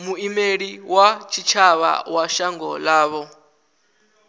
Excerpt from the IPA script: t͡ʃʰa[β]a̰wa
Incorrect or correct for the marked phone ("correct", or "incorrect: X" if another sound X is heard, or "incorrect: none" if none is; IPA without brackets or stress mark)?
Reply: correct